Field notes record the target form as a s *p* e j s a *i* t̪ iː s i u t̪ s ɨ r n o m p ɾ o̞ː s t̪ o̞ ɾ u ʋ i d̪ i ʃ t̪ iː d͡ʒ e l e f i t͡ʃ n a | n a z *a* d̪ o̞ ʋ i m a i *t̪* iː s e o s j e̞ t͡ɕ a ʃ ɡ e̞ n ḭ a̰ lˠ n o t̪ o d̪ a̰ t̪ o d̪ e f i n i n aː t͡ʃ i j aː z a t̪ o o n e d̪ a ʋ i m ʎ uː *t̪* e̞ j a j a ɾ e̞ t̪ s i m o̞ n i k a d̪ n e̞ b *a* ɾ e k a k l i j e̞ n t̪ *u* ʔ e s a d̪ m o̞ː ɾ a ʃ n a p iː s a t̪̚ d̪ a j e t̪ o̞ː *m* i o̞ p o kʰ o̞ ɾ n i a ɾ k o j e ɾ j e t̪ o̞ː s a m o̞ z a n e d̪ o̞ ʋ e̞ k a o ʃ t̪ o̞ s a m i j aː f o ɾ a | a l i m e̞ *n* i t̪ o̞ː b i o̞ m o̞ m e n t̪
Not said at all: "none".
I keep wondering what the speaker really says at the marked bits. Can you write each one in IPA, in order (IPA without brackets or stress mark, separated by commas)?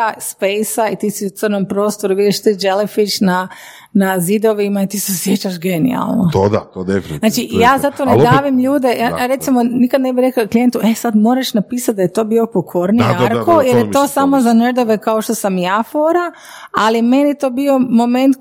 p, i, i, t̪, d̪, i, u, b, n